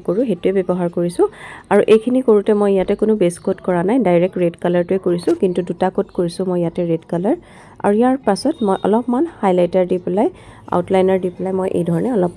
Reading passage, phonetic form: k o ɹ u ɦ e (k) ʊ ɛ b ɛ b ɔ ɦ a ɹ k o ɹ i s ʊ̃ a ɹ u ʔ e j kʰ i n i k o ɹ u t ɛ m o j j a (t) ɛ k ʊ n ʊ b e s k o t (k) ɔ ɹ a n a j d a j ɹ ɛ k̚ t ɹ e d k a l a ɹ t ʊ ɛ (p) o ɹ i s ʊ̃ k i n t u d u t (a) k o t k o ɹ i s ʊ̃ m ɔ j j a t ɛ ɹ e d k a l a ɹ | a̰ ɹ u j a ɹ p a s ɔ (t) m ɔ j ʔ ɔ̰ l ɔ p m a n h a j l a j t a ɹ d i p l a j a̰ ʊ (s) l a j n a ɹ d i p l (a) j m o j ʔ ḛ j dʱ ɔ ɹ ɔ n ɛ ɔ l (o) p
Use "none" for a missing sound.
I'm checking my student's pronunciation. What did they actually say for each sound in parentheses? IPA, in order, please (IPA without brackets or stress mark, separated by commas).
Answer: t, t, k, k, a, t, t, a, ɔ